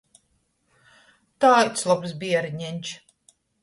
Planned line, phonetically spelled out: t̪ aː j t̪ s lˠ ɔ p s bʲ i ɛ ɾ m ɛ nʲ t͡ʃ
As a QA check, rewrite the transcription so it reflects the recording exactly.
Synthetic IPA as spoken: t̪ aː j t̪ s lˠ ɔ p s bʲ i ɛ ɾ ɲ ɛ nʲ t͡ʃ